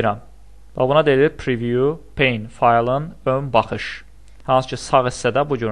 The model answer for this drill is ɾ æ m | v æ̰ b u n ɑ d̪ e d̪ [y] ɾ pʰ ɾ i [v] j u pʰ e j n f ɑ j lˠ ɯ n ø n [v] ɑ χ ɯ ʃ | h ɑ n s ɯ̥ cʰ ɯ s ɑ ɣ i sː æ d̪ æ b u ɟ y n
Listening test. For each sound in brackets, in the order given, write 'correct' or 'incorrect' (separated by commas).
incorrect, correct, incorrect